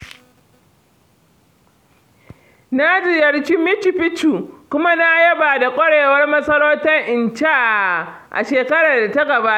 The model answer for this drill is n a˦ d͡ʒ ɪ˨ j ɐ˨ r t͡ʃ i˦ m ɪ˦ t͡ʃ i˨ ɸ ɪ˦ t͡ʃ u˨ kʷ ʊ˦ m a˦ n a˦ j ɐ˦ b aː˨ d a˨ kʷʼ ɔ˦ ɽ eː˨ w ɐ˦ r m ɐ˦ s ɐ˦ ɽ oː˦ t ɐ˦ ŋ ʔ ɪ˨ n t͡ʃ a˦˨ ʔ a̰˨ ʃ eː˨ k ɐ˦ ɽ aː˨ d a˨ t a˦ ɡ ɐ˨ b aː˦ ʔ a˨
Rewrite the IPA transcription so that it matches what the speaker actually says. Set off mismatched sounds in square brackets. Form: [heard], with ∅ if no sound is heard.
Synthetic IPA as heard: n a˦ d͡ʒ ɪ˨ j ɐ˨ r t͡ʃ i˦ m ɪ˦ t͡ʃ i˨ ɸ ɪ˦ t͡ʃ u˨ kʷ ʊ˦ m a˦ n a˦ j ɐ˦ b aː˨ d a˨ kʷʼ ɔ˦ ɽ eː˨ w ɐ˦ r m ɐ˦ s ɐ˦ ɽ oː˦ t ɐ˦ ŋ ʔ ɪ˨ n t͡ʃ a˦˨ ʔ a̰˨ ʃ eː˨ k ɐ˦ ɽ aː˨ d a˨ t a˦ ɡ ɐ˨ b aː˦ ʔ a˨

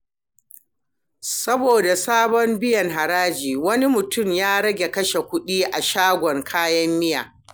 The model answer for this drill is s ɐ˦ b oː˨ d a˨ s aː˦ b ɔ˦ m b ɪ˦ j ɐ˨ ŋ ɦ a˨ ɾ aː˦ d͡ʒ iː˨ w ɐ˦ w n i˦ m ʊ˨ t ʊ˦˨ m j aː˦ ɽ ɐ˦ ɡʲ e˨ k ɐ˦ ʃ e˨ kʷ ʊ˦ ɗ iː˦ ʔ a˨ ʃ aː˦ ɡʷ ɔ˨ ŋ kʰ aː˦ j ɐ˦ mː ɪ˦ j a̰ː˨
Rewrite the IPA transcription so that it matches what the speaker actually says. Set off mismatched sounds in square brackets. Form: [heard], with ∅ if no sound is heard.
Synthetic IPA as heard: s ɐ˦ b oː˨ d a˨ s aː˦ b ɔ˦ m b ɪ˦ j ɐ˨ ŋ ɦ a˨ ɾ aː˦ d͡ʒ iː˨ w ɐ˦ [∅] n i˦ m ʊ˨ t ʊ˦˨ m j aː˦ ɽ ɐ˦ ɡʲ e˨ k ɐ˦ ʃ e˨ kʷ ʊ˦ ɗ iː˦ ʔ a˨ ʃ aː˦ ɡʷ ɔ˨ ŋ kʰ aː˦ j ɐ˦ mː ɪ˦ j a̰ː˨

